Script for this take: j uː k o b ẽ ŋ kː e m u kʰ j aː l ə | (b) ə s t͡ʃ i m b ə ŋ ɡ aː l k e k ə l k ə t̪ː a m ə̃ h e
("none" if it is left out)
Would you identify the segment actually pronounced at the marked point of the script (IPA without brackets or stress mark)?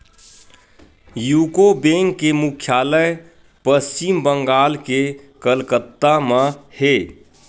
p